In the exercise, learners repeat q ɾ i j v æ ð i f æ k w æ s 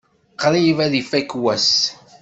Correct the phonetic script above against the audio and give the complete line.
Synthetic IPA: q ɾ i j v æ ð i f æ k w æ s